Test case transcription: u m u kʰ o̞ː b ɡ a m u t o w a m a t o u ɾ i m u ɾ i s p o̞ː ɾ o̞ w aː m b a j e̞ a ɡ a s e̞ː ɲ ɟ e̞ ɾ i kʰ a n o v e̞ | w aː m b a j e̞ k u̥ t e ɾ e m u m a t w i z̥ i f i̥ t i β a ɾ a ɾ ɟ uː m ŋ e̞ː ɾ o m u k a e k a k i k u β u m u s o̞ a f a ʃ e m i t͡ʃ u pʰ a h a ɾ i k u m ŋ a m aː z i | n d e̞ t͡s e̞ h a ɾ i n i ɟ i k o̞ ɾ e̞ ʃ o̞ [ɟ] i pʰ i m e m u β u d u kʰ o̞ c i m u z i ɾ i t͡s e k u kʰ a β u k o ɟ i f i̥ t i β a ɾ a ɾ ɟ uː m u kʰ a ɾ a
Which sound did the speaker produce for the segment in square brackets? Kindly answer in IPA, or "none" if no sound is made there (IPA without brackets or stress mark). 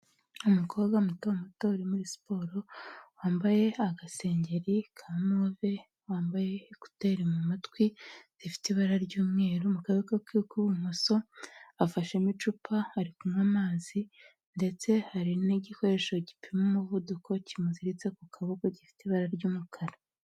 ɟ